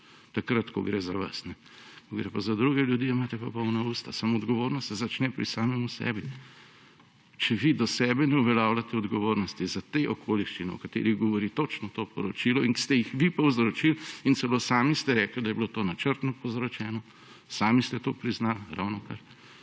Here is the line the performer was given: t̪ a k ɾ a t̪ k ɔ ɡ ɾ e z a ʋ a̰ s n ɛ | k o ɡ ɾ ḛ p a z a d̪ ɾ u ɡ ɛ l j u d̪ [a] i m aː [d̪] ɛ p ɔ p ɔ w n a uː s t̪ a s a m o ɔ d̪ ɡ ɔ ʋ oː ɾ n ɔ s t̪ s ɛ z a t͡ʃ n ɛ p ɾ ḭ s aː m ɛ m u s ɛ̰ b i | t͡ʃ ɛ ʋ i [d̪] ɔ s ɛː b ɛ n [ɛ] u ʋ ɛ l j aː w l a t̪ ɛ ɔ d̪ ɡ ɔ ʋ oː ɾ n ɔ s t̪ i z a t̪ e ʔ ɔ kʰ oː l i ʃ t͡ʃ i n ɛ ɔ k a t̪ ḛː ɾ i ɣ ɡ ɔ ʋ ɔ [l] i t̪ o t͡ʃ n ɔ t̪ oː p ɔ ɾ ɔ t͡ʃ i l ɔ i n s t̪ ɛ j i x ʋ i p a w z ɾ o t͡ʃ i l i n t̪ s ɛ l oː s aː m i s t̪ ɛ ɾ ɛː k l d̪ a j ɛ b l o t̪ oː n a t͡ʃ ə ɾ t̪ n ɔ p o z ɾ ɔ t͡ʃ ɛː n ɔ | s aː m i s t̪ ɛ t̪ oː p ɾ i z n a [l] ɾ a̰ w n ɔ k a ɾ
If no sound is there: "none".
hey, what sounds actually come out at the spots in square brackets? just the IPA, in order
i, t̪, d̪, ɛ, ɾ, l

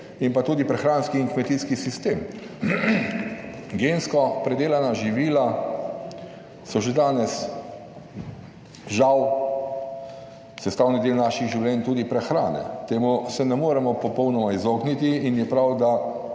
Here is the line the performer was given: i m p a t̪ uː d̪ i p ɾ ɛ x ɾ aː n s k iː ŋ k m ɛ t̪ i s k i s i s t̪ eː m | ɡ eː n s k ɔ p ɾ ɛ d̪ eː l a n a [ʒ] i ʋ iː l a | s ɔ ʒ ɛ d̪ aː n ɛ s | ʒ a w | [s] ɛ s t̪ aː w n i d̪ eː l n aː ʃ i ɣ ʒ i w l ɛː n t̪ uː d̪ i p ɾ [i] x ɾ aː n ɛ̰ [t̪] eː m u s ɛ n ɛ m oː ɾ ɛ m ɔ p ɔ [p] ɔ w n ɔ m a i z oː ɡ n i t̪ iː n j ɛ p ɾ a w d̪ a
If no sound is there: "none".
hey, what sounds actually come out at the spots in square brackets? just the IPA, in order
ʒ, s, ɛ, t̪, p

